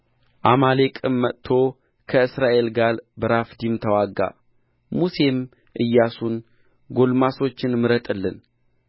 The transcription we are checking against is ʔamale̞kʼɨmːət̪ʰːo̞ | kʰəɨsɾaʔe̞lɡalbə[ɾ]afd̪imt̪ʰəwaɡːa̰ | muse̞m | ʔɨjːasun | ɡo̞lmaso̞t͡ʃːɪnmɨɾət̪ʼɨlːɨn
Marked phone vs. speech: correct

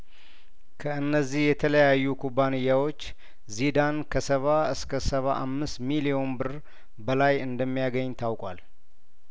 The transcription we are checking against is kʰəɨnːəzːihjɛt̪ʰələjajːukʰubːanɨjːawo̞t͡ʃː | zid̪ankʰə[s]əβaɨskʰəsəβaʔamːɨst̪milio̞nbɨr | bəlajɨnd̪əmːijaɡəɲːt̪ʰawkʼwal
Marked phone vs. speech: correct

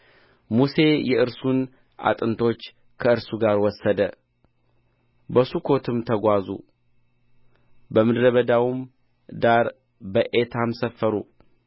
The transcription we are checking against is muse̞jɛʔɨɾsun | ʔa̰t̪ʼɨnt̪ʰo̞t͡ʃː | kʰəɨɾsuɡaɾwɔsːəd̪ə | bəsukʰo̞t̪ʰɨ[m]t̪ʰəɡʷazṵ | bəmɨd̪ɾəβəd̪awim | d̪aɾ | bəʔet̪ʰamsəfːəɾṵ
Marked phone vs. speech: correct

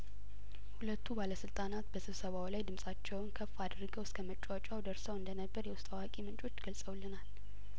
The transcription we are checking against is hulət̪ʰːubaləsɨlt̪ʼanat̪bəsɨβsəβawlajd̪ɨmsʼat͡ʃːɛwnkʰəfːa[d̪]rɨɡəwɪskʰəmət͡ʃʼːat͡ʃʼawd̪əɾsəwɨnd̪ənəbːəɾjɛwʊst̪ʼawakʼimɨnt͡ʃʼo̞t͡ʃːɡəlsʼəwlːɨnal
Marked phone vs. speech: correct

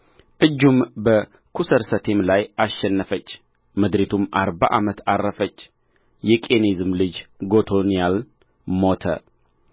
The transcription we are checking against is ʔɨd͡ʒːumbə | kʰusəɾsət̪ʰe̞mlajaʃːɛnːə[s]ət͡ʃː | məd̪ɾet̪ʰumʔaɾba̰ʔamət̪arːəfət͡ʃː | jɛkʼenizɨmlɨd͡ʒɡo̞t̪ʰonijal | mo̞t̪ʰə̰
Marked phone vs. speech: incorrect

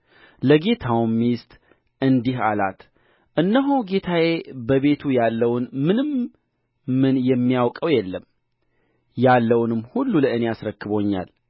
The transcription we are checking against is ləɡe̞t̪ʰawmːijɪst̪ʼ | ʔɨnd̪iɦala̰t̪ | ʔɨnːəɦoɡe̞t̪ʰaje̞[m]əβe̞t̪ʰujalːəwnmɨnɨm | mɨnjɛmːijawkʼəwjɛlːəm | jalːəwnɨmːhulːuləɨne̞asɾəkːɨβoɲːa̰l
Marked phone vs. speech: incorrect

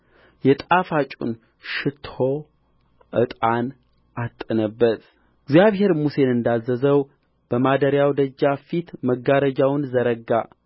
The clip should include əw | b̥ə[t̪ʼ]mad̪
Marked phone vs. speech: incorrect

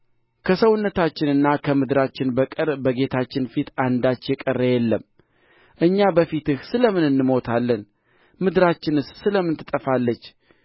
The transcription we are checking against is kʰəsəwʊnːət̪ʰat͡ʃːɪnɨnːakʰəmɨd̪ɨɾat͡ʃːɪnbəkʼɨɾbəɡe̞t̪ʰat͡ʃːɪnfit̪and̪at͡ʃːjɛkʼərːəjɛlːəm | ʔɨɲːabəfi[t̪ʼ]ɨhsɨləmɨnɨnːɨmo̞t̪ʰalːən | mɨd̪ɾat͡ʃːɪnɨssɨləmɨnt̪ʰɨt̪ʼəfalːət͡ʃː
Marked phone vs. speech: incorrect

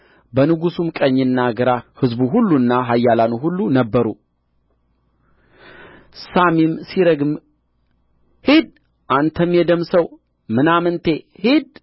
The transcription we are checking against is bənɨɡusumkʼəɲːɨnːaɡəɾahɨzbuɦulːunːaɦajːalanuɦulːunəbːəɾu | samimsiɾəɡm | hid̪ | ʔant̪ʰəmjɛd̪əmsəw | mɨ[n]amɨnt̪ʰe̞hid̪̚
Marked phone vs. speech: correct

